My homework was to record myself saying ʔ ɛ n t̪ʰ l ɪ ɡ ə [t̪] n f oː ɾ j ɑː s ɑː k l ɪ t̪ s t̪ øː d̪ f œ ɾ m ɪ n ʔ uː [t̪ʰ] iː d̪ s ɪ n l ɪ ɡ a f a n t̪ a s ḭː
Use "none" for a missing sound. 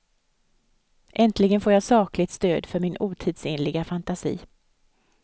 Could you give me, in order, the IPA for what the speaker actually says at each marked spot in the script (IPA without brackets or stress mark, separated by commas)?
none, t̪ʰ